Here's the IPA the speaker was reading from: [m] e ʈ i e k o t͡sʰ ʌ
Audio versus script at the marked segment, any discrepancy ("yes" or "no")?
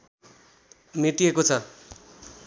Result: no